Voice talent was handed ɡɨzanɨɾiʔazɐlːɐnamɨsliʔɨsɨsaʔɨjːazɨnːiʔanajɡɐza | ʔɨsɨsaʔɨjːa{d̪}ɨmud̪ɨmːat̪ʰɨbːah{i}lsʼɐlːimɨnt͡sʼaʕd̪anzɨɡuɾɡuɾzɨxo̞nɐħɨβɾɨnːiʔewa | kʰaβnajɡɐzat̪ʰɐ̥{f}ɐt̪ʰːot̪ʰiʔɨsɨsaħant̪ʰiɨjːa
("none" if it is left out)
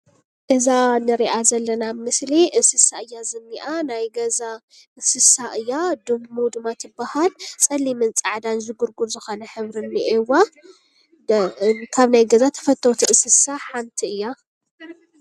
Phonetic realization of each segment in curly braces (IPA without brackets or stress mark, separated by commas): d̪, a, f